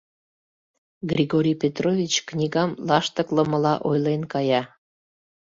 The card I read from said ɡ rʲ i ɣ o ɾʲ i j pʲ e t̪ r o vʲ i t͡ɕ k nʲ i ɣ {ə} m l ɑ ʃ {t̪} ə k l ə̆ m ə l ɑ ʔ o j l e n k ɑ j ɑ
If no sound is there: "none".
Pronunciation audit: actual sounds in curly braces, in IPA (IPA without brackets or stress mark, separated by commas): ɑ, t̪